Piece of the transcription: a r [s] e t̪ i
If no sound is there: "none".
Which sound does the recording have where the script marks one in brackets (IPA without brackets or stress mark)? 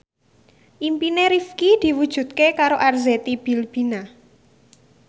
z